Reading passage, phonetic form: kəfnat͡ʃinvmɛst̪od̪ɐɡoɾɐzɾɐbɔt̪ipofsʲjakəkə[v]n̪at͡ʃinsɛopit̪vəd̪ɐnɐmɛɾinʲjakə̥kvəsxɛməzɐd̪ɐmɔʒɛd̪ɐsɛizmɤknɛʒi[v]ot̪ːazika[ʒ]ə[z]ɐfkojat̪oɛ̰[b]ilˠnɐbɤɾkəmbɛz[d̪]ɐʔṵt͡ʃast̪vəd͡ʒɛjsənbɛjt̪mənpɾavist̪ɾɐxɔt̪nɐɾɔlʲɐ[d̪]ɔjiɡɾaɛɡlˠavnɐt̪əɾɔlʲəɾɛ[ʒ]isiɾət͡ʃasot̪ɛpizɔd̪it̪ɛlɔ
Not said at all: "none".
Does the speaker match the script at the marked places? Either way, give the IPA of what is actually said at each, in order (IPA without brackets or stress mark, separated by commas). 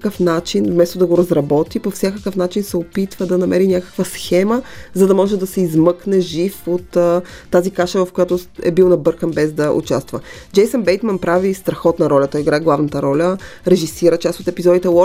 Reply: f, f, ʃ, v, b, d̪, t̪, ʒ